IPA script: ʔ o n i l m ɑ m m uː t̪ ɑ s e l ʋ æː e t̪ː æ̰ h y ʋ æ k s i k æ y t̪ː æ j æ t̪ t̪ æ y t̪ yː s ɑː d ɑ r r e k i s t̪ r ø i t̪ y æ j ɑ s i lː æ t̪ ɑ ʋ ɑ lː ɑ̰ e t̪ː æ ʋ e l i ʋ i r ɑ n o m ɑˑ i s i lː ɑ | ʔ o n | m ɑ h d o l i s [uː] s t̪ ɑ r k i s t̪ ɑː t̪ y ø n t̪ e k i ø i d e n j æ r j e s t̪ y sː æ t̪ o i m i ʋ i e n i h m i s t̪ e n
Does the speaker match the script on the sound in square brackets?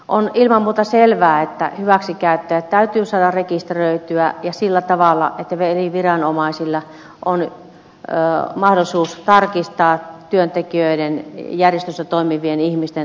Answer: yes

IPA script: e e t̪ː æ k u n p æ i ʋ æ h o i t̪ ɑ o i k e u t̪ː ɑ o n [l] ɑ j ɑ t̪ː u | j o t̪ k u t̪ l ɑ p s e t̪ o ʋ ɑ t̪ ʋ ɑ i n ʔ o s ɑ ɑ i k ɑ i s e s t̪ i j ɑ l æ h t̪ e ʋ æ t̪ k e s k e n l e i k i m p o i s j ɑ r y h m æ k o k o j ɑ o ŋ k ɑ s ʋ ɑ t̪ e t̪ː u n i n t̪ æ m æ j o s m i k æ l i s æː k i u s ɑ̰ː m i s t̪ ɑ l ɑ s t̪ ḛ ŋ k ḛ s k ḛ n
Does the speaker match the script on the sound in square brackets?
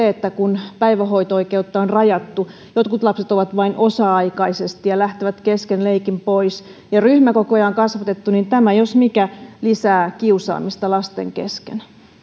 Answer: no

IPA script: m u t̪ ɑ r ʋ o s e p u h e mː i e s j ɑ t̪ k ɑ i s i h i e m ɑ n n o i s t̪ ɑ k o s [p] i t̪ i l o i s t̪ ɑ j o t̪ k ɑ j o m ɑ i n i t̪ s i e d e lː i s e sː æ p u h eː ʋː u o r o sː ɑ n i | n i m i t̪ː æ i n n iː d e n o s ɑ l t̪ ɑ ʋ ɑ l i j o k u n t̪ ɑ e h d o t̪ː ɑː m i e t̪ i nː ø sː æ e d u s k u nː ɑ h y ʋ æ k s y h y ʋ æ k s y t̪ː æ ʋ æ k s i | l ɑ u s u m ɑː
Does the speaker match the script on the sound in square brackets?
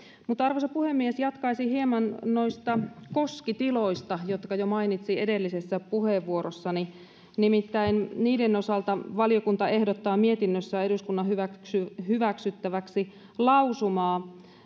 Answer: no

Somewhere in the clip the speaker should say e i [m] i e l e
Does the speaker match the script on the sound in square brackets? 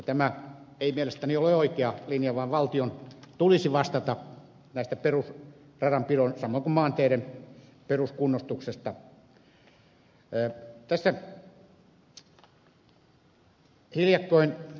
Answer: yes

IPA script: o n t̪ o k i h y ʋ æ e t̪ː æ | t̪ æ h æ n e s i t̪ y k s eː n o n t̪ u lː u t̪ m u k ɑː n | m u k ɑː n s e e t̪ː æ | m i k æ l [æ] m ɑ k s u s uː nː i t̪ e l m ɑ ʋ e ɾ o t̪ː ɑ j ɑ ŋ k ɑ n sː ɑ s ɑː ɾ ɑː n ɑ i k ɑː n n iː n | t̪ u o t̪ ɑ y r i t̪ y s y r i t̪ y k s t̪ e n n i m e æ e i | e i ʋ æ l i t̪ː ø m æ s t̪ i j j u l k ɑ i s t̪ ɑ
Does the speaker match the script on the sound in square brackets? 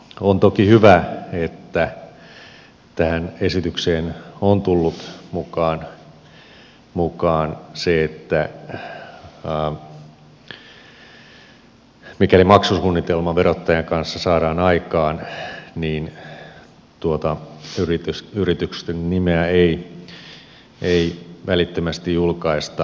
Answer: no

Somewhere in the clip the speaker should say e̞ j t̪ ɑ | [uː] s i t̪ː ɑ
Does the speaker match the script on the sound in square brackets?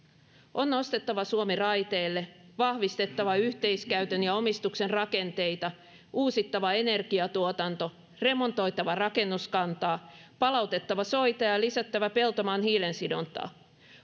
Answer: yes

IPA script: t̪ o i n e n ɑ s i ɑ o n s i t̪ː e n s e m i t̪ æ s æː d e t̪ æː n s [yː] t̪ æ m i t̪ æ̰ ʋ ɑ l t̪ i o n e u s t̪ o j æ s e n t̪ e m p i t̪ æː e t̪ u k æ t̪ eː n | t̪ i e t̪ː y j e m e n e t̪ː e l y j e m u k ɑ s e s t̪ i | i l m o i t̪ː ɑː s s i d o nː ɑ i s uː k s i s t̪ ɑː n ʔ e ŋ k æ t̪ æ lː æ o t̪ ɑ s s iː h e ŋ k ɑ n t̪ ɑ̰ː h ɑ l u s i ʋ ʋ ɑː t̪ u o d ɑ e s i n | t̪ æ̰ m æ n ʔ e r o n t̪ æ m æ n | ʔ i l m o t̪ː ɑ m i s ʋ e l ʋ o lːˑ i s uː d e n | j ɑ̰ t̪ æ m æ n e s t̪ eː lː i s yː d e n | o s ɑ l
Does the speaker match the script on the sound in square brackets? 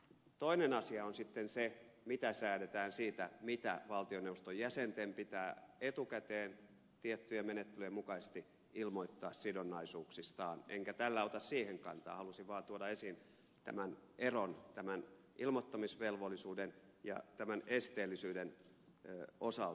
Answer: no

